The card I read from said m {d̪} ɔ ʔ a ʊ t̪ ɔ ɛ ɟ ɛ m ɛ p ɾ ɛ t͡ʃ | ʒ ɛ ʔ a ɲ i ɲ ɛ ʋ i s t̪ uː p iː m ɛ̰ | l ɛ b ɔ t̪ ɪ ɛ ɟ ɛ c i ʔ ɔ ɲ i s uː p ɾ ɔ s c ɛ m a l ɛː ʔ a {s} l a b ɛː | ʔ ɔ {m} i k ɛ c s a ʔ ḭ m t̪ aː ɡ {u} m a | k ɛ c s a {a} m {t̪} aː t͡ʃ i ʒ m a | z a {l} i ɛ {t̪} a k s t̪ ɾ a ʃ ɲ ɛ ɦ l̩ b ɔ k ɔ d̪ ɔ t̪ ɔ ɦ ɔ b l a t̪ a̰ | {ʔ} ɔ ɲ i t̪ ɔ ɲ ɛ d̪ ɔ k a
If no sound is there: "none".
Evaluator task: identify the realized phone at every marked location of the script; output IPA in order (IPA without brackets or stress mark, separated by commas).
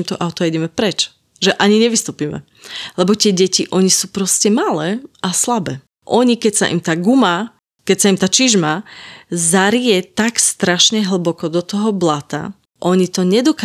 t̪, s, ɲ, u, i, t̪, ɾ, t̪, ʔ